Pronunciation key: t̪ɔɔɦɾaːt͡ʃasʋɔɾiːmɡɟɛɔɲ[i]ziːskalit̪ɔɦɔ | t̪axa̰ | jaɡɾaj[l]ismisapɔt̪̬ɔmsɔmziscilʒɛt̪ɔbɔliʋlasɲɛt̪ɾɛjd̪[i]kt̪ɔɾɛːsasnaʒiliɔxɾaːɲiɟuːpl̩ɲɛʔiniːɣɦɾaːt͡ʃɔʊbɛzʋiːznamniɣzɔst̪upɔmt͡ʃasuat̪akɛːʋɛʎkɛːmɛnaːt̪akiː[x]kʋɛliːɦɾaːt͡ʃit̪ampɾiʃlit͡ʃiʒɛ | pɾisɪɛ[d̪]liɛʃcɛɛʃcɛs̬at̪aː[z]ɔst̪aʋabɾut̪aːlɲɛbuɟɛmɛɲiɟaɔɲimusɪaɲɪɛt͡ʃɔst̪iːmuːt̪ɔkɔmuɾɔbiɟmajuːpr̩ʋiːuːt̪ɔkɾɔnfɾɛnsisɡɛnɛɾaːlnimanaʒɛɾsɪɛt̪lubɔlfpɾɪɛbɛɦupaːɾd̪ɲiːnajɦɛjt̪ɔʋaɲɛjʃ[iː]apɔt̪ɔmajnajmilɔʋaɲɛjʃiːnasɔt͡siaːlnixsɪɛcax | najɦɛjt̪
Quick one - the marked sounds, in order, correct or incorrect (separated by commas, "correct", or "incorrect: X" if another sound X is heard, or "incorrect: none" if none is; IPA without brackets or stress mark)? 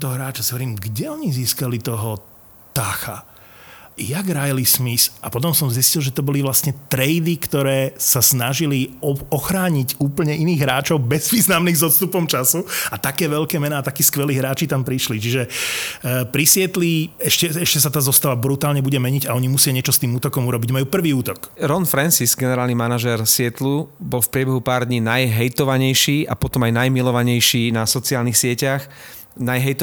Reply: correct, correct, correct, incorrect: s, incorrect: t̪, correct, correct